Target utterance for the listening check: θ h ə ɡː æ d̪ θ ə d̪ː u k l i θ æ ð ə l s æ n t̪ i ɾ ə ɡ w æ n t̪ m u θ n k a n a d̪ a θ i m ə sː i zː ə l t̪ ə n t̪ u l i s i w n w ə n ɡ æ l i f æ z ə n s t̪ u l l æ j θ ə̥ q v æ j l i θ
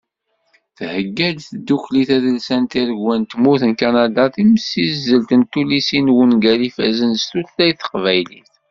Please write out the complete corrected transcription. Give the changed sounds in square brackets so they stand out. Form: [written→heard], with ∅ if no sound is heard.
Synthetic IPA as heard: θ h ə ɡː æ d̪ θ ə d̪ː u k l i θ æ ð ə l s æ n t̪ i ɾ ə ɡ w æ n t̪ m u θ n k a n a d̪ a θ i m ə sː i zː ə l t̪ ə n t̪ u l i s i [w→∅] n w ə n ɡ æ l i f æ z ə n s t̪ u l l æ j θ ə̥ q v æ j l i θ